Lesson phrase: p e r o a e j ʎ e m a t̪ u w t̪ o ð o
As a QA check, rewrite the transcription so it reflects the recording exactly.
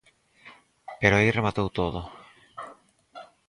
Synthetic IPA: p e ɾ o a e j r e m a t̪ o w t̪ o ð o